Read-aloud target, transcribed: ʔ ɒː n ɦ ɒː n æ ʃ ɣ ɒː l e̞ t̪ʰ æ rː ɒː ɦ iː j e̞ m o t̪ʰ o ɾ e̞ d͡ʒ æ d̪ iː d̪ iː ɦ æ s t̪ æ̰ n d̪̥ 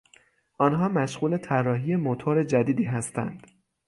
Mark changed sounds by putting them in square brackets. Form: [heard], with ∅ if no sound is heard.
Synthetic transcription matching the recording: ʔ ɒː n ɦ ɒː [m] æ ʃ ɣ [uː] l e̞ t̪ʰ æ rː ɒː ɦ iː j e̞ m o t̪ʰ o ɾ e̞ d͡ʒ æ d̪ iː d̪ iː ɦ æ s t̪ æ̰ n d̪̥